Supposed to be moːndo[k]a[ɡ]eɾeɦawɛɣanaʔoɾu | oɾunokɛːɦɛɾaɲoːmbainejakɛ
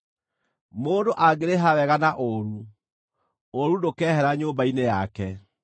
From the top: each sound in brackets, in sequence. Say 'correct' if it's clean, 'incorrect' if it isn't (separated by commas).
incorrect, correct